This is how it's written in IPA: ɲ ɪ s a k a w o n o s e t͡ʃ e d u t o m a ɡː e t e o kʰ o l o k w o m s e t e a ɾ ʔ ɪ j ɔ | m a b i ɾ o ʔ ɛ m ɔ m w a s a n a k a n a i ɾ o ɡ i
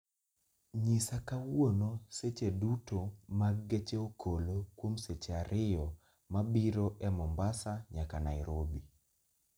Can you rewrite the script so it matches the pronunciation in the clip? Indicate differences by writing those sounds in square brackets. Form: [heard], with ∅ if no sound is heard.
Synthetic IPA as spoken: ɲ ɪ s a k a w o n o s e t͡ʃ e d u t o m a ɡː e [t͡ʃ] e o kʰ o l o k w o m s e [t͡ʃ] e a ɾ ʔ ɪ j ɔ | m a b i ɾ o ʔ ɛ m ɔ m [b] a s a [ɲ] a k a n a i ɾ o [b] i